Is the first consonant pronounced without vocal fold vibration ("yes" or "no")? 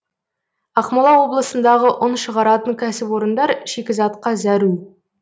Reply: yes